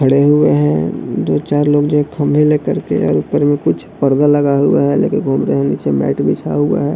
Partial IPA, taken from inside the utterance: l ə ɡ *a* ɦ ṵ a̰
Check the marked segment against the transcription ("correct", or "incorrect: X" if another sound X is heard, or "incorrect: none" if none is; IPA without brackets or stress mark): correct